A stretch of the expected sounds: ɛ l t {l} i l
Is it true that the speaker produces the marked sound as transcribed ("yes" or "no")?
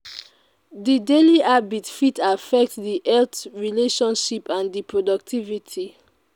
no